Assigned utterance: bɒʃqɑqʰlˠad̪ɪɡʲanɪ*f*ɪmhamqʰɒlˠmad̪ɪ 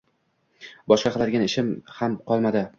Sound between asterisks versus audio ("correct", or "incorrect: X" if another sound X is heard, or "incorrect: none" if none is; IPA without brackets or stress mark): incorrect: ʃ